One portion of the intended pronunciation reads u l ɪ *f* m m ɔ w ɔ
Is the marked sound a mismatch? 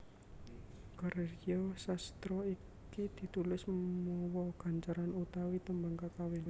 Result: yes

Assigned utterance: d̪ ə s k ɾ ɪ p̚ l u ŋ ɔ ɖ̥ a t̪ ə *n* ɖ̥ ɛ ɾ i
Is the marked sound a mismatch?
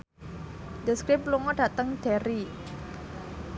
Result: yes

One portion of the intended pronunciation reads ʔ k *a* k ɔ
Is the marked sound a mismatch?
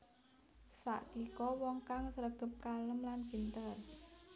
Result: yes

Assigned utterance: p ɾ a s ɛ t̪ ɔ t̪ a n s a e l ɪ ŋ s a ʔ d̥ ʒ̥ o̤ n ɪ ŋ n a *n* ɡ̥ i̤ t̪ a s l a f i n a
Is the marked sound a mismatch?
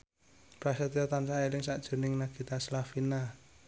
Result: yes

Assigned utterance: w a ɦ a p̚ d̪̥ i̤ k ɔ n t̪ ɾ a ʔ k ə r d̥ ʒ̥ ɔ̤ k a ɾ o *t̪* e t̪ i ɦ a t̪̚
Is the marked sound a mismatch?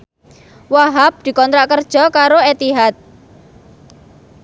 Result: yes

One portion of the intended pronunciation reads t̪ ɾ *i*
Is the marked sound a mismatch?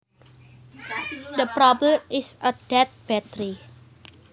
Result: no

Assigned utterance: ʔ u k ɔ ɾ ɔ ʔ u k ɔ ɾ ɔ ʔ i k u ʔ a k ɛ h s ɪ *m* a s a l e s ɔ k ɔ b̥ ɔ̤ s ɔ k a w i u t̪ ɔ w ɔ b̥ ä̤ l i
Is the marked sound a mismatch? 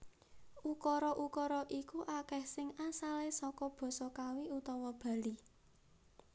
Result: yes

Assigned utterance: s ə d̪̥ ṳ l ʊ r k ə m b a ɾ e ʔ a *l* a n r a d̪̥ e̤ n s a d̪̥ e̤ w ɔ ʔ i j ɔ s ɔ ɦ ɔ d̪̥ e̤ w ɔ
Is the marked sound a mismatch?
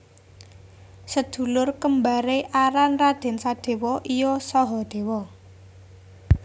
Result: yes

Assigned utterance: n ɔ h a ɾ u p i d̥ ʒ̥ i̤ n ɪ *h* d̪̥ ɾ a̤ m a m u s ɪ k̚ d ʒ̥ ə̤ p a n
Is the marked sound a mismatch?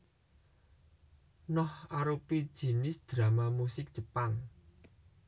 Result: yes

